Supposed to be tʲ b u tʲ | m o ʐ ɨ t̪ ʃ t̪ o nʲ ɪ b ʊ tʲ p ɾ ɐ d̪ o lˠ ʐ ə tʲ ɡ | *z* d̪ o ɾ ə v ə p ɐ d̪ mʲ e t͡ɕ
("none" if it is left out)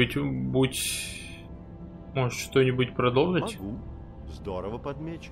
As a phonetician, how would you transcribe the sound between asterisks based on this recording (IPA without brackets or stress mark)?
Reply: z